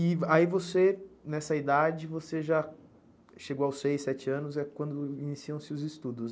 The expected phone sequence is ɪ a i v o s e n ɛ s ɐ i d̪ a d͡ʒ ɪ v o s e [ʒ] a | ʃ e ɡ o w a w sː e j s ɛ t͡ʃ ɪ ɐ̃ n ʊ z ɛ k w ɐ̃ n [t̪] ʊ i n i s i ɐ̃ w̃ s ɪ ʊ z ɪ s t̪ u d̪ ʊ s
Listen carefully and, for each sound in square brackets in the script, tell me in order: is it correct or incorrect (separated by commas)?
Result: correct, incorrect